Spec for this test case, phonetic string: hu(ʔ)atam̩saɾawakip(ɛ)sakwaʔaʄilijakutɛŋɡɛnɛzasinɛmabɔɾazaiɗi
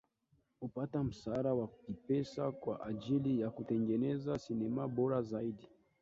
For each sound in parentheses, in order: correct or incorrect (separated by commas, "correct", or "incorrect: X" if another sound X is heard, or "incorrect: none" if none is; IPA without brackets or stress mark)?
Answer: incorrect: p, correct